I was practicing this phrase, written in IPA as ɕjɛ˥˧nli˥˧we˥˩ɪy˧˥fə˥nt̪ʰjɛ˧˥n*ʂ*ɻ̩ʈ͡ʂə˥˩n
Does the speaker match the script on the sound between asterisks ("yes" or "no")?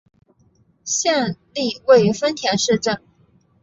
yes